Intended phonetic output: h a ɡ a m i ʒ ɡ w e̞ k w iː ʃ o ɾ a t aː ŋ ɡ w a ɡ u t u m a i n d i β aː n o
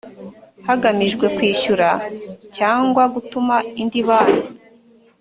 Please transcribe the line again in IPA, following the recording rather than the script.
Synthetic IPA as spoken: h a ɡ a m i ʒ ɡ w e̞ k w iː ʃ u ɾ a c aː ŋ ɡ w a ɡ u t u m a i n d i β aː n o